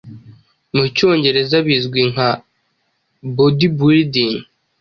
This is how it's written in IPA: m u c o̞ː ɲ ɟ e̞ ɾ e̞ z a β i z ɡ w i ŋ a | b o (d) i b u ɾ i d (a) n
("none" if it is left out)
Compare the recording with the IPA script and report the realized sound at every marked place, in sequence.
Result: d, i

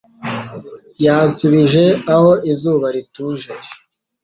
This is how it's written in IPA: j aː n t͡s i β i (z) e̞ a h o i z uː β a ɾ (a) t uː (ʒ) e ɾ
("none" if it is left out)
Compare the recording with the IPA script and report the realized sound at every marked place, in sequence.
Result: ʒ, i, ʒ

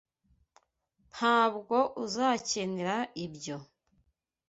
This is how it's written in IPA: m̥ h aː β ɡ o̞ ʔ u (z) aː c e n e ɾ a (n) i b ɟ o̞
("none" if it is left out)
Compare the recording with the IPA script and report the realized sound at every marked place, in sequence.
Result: z, none

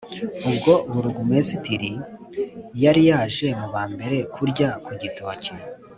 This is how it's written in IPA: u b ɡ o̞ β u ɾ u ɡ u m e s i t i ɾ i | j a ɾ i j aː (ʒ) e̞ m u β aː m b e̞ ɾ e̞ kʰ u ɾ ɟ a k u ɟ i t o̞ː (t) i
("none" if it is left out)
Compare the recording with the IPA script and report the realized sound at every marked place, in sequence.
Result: ʒ, c

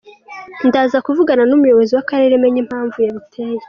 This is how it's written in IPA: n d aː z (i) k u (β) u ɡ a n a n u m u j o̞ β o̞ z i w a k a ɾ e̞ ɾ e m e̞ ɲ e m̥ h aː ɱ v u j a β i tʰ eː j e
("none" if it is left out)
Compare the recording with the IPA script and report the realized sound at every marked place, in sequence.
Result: a, v

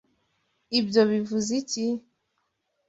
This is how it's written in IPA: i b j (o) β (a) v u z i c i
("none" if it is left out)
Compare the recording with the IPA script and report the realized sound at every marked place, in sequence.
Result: o, i

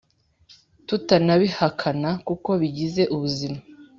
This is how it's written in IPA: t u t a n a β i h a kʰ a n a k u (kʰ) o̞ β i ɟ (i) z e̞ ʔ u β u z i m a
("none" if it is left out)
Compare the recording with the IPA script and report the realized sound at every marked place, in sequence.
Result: k, i

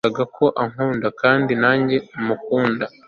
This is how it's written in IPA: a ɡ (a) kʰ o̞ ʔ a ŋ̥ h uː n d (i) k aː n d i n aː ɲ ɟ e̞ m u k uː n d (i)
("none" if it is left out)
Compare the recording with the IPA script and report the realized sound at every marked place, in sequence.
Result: a, a, a

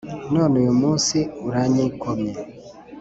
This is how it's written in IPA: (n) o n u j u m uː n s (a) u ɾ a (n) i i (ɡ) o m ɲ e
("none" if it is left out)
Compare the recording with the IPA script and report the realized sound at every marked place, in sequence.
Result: n, i, ɲ, k

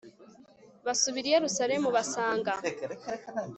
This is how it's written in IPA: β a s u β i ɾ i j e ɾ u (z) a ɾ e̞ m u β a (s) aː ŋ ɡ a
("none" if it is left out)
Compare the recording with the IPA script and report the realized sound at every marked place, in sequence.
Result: s, s

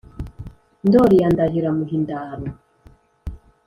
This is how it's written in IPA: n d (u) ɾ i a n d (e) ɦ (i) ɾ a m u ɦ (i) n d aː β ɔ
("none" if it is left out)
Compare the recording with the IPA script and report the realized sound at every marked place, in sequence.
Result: ɔ, a, i, i

